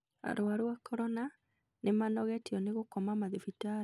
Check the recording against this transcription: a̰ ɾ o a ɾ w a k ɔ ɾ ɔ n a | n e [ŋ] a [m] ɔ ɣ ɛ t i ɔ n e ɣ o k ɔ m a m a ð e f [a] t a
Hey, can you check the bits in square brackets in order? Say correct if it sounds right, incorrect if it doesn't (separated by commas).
incorrect, incorrect, incorrect